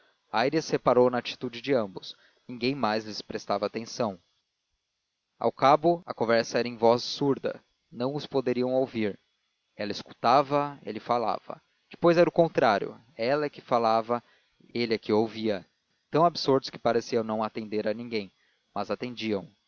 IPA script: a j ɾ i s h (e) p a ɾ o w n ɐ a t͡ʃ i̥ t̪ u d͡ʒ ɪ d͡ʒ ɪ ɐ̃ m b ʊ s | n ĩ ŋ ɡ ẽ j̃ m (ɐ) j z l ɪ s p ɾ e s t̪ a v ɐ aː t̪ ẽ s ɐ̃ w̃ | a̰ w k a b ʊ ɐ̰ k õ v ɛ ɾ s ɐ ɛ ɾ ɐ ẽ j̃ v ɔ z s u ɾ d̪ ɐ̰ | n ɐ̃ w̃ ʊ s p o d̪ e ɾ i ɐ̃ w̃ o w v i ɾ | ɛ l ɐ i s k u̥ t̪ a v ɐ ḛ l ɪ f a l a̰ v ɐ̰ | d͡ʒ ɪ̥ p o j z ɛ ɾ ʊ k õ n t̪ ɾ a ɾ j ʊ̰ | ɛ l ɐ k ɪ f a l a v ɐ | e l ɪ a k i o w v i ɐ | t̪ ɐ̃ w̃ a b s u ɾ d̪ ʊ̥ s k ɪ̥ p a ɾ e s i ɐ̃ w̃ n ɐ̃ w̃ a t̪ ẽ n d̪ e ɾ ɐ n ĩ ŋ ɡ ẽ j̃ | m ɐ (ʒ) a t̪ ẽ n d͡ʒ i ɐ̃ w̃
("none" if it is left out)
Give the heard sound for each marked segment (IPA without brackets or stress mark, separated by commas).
e, a, z